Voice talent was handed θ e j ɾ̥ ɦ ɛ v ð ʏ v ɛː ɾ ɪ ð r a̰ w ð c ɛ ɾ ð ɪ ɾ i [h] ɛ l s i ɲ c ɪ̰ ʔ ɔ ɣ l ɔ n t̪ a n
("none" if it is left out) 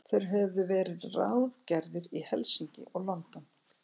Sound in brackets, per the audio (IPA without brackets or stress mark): h